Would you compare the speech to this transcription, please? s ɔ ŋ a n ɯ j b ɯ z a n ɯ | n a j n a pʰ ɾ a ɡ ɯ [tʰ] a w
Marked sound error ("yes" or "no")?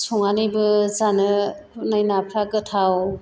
no